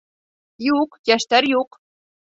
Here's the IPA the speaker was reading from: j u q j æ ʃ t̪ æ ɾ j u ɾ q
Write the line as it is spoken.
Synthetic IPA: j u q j æ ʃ t̪ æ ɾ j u q